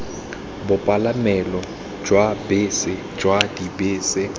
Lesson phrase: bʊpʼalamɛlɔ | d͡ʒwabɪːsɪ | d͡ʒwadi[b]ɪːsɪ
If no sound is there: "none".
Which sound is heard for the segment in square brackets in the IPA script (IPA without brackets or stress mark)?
b